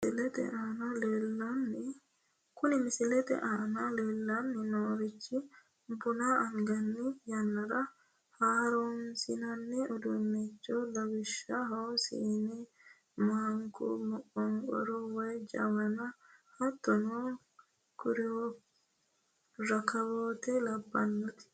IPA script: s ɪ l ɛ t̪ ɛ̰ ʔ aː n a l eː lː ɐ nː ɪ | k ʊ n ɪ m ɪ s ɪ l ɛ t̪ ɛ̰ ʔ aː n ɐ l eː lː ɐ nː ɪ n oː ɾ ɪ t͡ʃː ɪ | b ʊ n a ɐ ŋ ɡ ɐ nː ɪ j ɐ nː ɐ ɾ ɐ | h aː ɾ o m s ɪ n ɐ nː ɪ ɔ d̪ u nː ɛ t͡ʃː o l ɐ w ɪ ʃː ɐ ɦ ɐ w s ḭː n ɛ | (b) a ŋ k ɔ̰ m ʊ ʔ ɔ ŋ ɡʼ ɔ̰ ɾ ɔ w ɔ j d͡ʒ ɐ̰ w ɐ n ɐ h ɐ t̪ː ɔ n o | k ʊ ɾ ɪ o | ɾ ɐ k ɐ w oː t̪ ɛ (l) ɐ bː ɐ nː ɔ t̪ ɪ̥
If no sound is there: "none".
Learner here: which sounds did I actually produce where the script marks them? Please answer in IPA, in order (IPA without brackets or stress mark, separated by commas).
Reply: m, l